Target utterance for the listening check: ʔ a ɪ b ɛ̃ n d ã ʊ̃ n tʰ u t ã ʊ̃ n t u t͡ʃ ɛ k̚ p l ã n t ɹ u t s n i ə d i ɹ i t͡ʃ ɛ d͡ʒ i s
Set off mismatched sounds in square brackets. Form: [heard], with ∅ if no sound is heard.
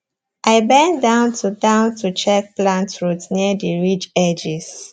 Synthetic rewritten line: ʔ a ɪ b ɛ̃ n d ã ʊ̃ n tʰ u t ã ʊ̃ n t u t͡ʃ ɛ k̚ p l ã n t ɹ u t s n i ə d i ɹ i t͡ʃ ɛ d͡ʒ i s